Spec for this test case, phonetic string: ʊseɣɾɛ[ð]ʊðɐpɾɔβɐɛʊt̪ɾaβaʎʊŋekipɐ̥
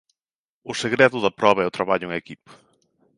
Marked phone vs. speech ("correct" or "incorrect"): correct